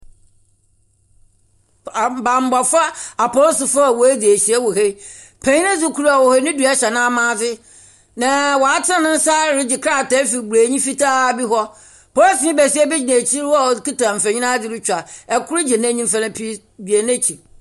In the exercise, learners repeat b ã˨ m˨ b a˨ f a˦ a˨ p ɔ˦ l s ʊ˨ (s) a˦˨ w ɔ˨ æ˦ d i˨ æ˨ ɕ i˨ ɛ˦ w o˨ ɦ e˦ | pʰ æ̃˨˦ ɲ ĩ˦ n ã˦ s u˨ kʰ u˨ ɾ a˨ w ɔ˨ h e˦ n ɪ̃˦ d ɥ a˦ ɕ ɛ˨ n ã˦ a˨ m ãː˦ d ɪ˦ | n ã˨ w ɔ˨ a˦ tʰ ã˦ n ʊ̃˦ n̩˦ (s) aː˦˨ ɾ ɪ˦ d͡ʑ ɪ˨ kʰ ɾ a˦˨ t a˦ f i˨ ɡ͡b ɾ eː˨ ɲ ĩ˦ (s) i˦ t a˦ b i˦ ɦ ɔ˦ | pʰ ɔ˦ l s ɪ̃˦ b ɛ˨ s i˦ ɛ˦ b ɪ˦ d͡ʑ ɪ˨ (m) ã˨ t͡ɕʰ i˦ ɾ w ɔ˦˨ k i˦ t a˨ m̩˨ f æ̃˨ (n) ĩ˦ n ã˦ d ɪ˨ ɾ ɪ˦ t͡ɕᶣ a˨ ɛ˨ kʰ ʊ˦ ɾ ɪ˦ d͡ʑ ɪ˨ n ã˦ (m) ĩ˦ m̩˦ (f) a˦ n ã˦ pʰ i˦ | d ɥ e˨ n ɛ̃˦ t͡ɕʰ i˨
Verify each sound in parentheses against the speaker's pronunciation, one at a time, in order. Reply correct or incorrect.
incorrect: f, correct, incorrect: f, incorrect: n, incorrect: ɲ, incorrect: ɲ, correct

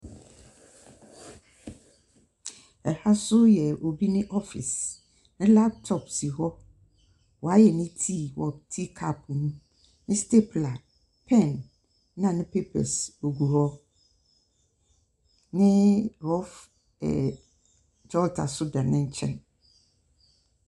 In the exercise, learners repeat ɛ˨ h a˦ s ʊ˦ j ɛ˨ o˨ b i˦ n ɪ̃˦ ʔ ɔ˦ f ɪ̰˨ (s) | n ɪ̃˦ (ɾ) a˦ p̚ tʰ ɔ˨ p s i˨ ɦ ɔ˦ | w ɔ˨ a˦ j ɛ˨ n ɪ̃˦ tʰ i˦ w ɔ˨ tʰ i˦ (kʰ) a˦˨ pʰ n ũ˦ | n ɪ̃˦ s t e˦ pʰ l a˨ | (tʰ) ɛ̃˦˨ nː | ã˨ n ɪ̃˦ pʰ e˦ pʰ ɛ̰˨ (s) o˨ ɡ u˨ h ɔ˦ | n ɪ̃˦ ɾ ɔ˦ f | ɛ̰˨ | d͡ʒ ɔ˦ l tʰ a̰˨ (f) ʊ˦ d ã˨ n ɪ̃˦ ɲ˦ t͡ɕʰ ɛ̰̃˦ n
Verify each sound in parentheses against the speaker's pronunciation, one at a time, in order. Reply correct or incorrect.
correct, incorrect: l, correct, incorrect: pʰ, correct, incorrect: s

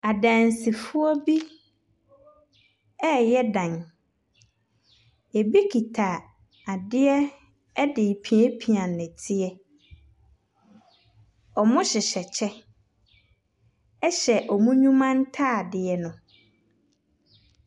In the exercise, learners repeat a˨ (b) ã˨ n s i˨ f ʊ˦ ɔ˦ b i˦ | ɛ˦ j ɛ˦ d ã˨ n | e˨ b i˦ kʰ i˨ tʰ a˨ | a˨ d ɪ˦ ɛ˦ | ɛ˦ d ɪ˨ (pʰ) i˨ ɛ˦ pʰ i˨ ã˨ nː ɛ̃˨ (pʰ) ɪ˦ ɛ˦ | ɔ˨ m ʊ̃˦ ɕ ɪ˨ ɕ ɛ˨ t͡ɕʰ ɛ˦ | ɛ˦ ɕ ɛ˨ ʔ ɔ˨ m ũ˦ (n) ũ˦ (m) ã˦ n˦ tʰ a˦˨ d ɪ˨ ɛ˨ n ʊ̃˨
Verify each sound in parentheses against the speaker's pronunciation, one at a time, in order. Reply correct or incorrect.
incorrect: d, correct, incorrect: tʰ, incorrect: ɲ, correct

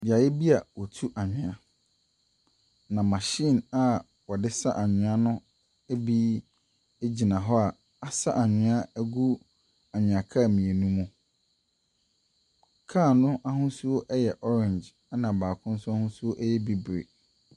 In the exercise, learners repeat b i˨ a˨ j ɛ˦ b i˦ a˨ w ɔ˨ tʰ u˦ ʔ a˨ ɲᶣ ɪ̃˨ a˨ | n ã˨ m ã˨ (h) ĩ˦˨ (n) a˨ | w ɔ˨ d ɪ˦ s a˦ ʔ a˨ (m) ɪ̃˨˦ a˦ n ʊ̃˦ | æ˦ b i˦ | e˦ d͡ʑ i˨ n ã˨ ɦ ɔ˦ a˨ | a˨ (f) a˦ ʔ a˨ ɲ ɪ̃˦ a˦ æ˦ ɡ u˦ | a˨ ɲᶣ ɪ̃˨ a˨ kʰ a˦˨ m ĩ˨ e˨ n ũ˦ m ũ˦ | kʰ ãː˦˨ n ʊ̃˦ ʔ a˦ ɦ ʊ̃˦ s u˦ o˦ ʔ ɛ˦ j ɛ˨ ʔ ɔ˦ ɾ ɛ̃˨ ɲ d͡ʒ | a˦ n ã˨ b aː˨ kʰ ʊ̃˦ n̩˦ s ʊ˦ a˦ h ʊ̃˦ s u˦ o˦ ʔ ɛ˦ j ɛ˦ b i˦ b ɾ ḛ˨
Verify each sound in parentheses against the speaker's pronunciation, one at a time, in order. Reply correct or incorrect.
incorrect: ɕ, correct, incorrect: ɲ, incorrect: s

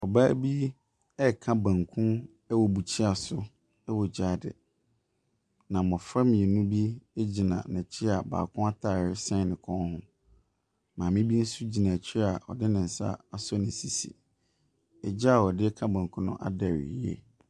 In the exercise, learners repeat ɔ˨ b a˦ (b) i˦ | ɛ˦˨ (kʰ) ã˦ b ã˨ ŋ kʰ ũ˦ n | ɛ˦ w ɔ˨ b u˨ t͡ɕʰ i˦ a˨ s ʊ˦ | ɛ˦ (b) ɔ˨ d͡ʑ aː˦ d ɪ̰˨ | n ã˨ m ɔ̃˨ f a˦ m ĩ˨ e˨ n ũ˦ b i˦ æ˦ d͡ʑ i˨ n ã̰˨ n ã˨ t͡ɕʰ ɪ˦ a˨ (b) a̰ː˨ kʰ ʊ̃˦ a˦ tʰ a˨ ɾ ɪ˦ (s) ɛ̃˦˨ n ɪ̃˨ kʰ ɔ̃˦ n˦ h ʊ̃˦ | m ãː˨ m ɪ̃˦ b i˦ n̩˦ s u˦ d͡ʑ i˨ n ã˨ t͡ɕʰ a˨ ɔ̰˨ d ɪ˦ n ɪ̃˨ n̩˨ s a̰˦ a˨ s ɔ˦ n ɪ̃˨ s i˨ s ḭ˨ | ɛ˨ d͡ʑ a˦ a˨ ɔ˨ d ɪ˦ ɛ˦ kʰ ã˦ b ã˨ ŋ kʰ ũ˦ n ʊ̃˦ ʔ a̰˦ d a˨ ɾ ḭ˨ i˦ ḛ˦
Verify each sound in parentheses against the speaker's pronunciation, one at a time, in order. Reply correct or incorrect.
correct, correct, incorrect: w, correct, correct

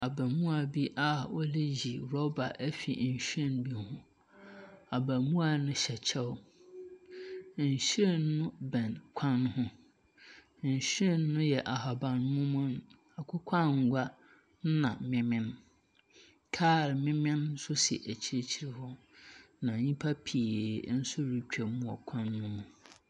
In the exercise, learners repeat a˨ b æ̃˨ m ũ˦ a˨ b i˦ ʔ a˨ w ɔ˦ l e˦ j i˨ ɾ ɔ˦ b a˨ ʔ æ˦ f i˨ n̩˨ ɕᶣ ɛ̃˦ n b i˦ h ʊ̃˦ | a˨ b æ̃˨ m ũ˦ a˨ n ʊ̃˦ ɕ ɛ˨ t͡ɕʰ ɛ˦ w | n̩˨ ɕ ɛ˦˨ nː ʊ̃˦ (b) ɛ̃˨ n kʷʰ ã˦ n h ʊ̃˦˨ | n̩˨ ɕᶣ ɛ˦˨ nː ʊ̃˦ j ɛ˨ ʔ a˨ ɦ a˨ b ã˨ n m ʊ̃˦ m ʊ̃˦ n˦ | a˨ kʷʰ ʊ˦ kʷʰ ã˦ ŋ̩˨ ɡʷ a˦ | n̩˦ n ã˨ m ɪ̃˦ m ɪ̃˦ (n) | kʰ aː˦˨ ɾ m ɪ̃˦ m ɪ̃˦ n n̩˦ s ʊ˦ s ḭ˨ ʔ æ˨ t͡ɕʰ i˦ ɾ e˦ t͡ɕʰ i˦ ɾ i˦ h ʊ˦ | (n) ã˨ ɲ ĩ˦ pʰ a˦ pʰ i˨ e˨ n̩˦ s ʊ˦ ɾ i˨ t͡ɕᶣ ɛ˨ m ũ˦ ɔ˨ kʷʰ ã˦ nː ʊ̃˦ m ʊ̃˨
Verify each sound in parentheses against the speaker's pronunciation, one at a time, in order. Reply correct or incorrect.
correct, correct, correct

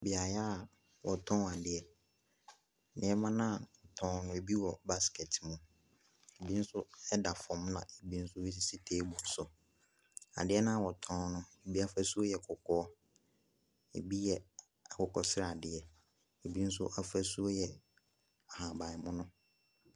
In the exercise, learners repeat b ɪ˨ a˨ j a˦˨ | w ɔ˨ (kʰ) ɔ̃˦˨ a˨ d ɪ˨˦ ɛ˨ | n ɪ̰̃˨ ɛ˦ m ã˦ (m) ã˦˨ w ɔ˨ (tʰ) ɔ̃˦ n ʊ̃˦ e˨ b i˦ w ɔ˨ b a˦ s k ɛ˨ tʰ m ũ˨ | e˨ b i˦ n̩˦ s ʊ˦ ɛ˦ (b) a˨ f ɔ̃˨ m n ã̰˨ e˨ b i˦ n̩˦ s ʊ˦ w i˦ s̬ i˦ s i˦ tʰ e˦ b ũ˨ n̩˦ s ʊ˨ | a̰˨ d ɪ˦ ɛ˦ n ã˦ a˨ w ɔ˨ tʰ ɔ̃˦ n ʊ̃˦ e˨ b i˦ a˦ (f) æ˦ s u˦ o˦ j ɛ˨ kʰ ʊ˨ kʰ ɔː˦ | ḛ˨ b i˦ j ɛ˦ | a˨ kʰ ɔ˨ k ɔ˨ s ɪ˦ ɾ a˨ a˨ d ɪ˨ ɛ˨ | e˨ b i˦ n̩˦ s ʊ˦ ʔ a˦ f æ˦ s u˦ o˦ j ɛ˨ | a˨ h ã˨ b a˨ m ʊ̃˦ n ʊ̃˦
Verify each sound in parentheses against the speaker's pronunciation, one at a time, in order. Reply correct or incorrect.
incorrect: tʰ, incorrect: n, correct, incorrect: d, correct

